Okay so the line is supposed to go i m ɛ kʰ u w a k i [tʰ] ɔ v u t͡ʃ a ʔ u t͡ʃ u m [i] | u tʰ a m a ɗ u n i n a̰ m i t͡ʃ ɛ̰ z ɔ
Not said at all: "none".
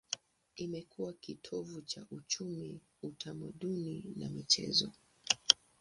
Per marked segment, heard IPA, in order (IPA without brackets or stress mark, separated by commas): tʰ, i